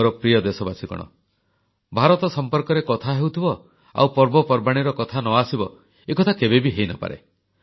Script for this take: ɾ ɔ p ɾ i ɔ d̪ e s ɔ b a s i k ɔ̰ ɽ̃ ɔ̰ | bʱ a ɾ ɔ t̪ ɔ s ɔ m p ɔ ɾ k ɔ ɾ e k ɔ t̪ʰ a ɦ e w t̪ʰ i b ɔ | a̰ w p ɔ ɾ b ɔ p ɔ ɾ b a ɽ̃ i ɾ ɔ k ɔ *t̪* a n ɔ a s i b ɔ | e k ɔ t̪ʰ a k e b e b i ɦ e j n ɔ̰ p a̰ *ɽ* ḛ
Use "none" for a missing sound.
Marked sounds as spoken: t̪ʰ, ɾ

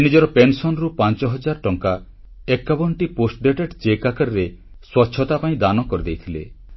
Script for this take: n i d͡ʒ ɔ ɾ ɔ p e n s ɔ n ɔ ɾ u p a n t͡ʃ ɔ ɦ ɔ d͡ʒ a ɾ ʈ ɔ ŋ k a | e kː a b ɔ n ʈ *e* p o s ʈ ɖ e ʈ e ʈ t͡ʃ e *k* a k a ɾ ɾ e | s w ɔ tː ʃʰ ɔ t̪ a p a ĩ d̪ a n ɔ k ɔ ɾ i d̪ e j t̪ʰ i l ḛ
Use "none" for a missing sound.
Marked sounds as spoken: i, k

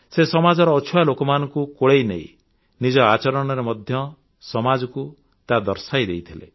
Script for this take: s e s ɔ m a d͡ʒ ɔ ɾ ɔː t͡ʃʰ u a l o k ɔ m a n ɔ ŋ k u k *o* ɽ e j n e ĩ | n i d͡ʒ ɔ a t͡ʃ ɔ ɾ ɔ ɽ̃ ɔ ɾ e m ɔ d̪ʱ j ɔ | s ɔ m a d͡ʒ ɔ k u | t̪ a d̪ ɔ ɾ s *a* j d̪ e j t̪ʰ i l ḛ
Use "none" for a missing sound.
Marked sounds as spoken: o, a

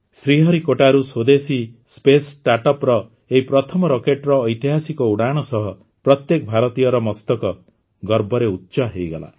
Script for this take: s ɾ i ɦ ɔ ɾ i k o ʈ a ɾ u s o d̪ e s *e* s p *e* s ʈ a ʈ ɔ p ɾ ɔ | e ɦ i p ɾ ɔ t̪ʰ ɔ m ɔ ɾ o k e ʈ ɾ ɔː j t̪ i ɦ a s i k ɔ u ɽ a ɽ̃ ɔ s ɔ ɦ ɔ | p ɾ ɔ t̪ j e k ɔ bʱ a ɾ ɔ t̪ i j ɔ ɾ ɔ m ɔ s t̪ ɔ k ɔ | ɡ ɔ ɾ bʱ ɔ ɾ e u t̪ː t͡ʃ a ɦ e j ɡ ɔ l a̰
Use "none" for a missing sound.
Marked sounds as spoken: i, e

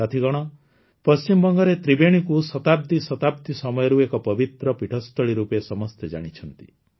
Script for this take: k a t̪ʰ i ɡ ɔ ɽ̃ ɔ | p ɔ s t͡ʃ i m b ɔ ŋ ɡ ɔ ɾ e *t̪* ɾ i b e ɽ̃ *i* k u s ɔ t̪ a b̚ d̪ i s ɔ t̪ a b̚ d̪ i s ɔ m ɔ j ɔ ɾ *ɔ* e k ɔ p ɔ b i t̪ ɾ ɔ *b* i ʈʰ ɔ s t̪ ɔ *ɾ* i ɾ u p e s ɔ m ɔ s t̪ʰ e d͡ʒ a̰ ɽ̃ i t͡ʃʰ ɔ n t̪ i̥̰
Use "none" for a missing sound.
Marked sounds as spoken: t̪, i, u, p, ɭ

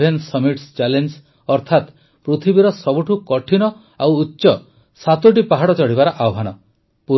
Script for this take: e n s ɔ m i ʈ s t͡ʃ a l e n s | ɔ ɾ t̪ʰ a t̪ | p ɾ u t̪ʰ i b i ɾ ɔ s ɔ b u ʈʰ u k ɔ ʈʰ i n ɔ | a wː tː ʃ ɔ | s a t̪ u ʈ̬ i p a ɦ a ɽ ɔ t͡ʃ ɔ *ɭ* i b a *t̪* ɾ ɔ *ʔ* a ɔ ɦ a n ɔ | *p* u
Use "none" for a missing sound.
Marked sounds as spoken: ɽ, none, ʔ, p

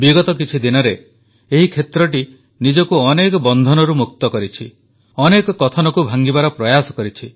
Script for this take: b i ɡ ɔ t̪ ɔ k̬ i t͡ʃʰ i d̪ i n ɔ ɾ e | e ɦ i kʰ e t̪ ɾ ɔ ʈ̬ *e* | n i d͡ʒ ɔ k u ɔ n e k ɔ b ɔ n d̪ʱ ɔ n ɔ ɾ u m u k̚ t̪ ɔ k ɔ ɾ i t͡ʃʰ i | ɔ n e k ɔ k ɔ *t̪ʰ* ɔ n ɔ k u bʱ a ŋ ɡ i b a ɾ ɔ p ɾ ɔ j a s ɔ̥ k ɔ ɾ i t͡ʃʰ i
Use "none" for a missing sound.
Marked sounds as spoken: i, t̪ʰ

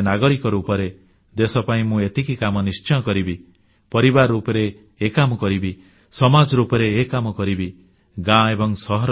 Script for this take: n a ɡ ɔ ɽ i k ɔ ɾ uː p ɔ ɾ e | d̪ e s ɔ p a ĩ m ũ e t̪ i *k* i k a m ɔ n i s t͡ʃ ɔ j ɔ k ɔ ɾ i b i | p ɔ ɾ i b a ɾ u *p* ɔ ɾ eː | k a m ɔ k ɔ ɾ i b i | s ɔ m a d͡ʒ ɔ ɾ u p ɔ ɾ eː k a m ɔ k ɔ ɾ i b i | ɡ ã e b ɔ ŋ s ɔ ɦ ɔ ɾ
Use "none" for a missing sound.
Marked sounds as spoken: k, p

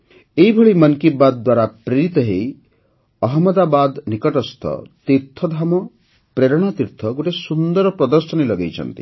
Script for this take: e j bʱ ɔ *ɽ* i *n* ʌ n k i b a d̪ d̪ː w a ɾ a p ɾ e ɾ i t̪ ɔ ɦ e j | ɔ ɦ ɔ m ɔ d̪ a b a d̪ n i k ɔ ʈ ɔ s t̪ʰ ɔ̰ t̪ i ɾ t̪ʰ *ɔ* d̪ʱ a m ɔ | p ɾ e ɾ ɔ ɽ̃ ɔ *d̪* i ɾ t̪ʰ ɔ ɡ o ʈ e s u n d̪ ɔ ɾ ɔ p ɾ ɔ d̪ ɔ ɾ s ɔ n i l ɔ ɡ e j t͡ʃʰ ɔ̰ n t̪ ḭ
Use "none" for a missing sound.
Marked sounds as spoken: ɭ, m, ɔ, t̪

